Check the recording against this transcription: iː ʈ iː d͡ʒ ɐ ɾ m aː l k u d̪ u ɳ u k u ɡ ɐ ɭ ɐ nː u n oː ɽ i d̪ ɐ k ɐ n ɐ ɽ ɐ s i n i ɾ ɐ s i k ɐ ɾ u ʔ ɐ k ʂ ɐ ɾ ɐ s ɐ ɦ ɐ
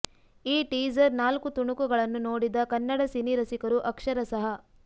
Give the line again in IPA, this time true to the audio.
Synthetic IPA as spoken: iː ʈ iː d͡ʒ ɐ ɾ n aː l k u t̪ u ɳ u k u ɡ ɐ ɭ ɐ nː u n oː ɽ i d̪ ɐ k ɐ nː ɐ ɽ ɐ s i n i ɾ ɐ s i k ɐ ɾ u ʔ ɐ k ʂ ɐ ɾ ɐ s ɐ ɦ ɐ